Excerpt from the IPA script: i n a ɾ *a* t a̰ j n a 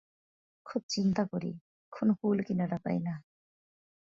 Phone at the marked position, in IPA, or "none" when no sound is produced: a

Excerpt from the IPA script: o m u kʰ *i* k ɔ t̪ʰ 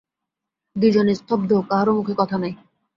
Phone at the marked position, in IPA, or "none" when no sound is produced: e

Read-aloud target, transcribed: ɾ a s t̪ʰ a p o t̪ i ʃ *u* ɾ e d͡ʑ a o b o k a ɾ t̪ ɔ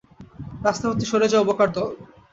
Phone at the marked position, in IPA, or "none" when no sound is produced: o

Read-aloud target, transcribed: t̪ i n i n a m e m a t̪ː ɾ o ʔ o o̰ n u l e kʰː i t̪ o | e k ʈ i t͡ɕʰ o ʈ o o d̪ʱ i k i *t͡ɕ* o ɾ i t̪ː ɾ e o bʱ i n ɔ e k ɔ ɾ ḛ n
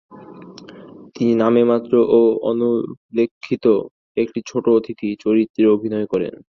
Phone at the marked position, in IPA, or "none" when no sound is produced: t͡ɕ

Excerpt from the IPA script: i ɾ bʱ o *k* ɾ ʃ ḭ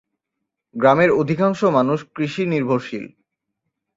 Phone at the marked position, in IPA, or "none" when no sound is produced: none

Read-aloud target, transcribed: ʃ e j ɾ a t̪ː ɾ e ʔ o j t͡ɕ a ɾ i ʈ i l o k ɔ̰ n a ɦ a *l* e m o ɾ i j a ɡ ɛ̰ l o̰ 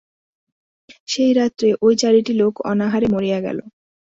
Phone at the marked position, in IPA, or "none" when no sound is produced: ɾ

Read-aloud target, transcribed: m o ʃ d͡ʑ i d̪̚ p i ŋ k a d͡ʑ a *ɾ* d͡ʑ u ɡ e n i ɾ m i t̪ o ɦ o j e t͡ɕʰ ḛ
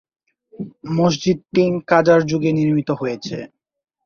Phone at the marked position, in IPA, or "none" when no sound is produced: ɾ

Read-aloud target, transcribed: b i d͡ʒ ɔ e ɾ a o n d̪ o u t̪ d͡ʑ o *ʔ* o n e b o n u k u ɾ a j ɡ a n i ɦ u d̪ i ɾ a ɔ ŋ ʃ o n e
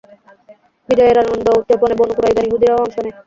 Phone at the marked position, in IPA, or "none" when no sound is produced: p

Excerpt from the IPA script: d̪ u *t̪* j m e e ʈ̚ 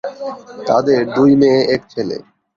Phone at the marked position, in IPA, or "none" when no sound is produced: none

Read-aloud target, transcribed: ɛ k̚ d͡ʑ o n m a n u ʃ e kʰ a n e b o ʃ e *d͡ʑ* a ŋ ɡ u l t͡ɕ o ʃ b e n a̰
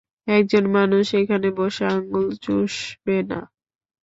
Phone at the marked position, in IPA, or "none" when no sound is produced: none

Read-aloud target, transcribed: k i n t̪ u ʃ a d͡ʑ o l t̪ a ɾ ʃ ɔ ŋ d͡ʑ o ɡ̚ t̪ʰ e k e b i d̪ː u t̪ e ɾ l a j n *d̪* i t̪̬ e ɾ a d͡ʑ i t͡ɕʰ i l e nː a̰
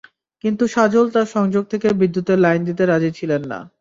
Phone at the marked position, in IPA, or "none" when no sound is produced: d̪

